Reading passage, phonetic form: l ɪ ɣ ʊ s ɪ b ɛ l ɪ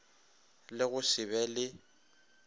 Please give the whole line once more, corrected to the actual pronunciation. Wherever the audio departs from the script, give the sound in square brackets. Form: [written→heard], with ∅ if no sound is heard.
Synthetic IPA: l ɪ ɣ ʊ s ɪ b ɛ l ɪ